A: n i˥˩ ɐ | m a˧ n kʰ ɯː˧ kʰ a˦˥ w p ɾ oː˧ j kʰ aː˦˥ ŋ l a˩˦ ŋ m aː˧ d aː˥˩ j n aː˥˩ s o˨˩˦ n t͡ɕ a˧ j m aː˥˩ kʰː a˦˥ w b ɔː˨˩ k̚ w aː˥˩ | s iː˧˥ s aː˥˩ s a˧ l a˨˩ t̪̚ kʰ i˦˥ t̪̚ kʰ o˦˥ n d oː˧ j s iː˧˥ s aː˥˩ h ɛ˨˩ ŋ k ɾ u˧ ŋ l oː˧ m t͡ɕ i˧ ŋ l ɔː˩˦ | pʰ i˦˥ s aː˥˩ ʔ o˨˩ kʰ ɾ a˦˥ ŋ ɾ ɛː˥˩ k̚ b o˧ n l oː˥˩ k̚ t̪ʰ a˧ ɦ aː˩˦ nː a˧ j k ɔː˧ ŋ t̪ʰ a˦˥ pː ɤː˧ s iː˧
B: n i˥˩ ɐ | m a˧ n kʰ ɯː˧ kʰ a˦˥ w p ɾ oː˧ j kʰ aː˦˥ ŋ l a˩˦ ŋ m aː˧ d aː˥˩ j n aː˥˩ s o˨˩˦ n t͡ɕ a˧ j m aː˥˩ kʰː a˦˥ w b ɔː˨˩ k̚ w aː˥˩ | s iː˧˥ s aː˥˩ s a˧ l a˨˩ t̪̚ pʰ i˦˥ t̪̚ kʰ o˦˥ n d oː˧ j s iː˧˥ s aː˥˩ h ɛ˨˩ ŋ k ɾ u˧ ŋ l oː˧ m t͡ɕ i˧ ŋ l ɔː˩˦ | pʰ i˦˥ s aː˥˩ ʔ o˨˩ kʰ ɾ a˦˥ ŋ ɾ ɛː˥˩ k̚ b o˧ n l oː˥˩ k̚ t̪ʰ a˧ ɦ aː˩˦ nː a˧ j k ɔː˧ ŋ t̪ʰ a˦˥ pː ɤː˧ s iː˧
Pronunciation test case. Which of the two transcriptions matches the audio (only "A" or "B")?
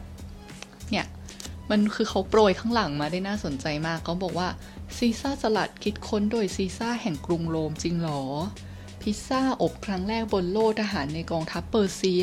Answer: A